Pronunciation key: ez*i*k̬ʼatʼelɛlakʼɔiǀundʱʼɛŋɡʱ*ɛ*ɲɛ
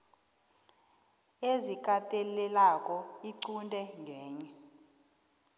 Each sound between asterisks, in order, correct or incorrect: correct, incorrect

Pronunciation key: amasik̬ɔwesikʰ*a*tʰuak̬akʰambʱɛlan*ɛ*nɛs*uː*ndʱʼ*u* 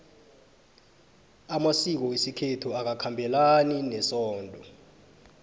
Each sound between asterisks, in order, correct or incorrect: incorrect, incorrect, incorrect, incorrect

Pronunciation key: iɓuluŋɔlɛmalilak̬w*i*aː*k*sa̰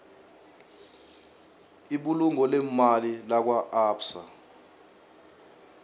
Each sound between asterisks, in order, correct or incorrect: incorrect, incorrect

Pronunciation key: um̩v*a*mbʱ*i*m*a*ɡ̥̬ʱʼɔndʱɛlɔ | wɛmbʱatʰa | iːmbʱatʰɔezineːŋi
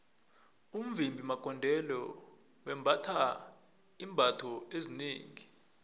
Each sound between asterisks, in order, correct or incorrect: incorrect, correct, correct

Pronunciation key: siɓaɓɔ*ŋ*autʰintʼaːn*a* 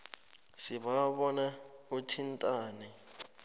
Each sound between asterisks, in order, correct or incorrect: incorrect, incorrect

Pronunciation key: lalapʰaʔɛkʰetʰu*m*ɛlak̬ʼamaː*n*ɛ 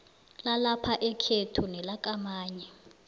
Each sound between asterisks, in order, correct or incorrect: incorrect, incorrect

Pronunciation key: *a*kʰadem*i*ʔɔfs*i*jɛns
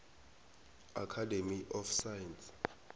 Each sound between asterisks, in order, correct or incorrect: correct, correct, incorrect

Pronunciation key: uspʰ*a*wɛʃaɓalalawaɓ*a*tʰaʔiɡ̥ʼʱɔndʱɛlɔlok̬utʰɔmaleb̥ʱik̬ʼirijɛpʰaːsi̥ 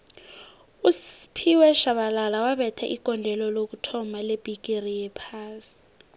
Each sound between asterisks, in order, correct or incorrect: incorrect, incorrect

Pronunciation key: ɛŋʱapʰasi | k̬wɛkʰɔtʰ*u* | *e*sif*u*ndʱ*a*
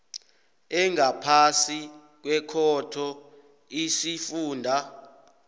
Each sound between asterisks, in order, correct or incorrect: incorrect, incorrect, incorrect, correct

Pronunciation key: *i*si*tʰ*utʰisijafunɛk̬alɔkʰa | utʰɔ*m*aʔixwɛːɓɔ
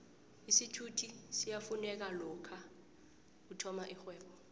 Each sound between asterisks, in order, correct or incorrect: correct, correct, correct

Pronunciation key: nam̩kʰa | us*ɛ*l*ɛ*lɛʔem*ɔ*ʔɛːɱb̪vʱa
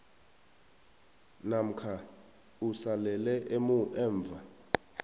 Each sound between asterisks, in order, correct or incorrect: incorrect, correct, incorrect

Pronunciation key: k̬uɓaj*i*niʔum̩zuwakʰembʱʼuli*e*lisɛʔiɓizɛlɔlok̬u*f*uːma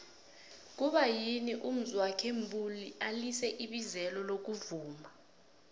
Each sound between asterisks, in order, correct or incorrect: correct, incorrect, incorrect

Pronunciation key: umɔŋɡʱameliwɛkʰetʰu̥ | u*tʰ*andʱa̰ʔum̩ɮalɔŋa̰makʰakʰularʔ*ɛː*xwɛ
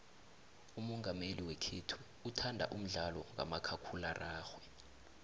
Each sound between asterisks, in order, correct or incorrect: correct, incorrect

